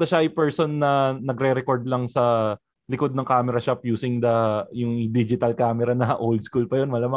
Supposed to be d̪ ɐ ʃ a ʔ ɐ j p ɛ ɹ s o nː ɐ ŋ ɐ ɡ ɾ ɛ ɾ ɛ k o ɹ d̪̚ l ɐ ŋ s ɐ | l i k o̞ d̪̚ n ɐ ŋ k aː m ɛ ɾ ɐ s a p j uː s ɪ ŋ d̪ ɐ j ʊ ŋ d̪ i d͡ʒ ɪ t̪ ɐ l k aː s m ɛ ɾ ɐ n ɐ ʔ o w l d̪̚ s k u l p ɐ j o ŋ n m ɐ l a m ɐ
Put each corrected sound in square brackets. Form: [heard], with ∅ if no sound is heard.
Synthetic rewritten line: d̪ ɐ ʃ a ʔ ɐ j p ɛ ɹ s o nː ɐ [n] ɐ ɡ ɾ ɛ ɾ ɛ k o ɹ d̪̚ l ɐ ŋ s ɐ | l [ɪ] k o̞ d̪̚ n ɐ ŋ k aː m ɛ ɾ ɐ [ʃ] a p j uː s ɪ ŋ d̪ ɐ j ʊ ŋ d̪ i d͡ʒ ɪ t̪ ɐ l k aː [∅] m ɛ ɾ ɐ n ɐ ʔ o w l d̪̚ s k u l p ɐ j o [∅] n m ɐ l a m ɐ